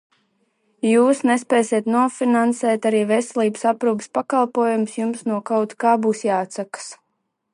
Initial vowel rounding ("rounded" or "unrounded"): rounded